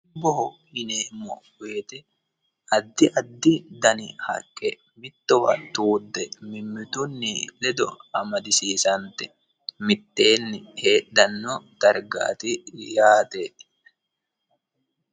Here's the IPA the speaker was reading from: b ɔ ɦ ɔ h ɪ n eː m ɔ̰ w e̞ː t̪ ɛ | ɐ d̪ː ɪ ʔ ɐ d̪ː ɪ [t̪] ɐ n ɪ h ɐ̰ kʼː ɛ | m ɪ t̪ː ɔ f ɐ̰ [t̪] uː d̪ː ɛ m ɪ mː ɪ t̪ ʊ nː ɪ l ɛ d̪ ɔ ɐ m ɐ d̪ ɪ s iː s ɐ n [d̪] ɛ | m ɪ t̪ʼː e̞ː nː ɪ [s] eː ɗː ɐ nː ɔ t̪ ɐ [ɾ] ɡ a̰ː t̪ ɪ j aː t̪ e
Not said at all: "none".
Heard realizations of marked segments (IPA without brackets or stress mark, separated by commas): d̪, t̪, t̪, h, ɾ